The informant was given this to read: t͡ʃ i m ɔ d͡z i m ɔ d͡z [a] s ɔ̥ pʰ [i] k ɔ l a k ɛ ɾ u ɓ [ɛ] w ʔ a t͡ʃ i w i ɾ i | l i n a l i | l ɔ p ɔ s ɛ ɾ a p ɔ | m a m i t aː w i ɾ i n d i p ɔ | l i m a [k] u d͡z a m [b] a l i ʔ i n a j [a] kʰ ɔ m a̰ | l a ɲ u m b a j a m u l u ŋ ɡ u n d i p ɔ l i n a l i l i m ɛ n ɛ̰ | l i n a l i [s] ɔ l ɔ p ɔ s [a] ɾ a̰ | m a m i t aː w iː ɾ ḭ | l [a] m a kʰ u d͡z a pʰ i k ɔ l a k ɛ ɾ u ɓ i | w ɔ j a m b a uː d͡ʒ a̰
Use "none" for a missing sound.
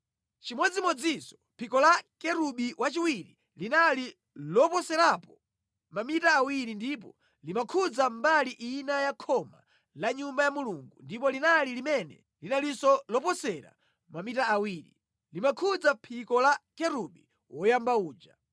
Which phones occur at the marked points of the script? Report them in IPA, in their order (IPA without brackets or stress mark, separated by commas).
i, i, i, kʰ, b, a, s, ɛ, i